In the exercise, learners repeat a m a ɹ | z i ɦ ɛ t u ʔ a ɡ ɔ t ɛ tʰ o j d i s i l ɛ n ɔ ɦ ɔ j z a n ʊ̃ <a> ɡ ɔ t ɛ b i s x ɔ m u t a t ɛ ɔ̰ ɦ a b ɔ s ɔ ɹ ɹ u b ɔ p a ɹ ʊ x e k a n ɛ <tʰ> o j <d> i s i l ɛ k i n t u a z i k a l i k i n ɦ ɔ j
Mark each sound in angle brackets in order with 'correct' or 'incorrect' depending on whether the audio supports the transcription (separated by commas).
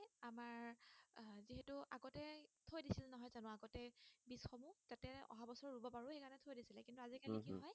correct, correct, correct